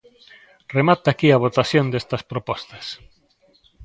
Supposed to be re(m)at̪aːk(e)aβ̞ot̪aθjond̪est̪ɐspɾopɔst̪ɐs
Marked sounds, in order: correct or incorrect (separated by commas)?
correct, incorrect